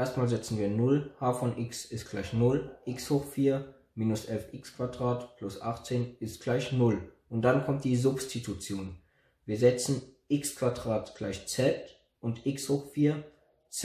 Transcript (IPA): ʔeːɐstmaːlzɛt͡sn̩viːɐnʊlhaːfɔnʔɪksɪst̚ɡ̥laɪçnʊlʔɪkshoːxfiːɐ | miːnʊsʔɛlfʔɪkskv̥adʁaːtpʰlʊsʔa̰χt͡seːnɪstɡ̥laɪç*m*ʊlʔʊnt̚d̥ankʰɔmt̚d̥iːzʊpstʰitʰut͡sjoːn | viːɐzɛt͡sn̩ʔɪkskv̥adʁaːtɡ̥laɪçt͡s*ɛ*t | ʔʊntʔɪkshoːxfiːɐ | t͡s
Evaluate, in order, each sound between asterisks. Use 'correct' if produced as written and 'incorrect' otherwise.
incorrect: n, correct

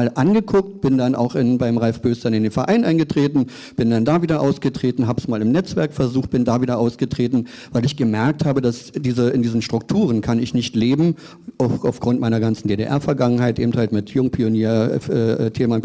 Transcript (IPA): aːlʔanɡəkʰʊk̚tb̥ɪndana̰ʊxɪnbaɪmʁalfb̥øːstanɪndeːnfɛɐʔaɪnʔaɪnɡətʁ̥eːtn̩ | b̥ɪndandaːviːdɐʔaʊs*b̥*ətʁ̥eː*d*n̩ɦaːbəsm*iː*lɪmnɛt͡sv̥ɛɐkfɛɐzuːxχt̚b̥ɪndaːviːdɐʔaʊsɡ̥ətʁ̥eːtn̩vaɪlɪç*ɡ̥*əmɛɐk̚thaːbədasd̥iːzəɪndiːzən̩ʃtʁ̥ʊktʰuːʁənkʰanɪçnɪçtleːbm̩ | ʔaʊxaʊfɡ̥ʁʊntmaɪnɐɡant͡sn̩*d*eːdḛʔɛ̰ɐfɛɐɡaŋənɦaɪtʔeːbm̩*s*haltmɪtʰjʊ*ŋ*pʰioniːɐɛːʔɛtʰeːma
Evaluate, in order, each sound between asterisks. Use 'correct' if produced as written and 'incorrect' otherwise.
incorrect: ɡ̥, incorrect: t, incorrect: aː, correct, correct, incorrect: t, correct

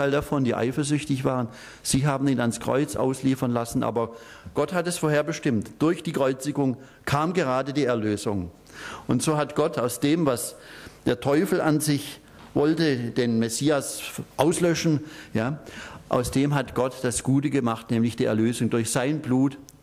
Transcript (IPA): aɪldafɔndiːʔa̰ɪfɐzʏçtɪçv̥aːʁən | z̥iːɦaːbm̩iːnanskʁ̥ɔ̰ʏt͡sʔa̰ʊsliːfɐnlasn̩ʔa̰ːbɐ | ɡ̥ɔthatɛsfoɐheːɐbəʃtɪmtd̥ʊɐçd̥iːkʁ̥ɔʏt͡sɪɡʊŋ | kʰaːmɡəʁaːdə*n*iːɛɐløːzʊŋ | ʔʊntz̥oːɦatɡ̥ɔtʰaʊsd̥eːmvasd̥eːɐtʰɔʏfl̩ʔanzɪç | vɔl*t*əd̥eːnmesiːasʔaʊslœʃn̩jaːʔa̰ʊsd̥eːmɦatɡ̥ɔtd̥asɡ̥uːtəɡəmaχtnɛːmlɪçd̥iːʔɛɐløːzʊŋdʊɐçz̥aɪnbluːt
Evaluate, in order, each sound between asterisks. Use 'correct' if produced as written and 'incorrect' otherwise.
incorrect: d, correct

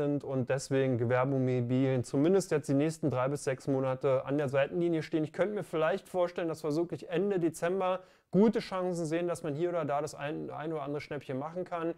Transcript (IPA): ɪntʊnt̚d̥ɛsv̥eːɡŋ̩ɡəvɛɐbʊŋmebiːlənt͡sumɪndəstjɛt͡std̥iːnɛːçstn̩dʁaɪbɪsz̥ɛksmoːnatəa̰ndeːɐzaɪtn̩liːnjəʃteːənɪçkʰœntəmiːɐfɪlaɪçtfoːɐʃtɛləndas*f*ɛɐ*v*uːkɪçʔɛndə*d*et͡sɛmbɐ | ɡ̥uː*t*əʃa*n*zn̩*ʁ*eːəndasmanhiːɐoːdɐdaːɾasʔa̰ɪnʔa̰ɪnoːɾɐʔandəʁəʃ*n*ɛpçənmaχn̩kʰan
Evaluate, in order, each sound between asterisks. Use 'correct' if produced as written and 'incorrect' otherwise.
correct, incorrect: z, correct, correct, incorrect: ŋ, incorrect: z, correct

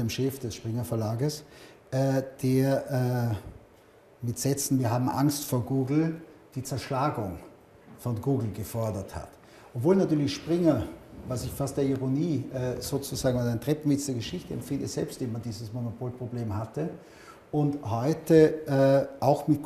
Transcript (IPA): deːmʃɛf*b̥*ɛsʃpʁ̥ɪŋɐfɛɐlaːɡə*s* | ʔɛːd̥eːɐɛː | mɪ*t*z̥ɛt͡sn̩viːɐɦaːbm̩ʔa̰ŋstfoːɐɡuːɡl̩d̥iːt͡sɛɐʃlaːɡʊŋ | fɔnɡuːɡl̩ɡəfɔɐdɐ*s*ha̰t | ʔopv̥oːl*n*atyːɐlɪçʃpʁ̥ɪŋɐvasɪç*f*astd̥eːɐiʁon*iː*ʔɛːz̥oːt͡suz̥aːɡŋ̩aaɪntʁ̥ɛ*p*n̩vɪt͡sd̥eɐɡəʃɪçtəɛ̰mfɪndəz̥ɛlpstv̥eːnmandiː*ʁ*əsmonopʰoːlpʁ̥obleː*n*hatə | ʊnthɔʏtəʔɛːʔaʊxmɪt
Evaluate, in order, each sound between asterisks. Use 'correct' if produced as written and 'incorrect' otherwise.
incorrect: d̥, correct, correct, incorrect: t, correct, correct, correct, correct, incorrect: z, incorrect: m

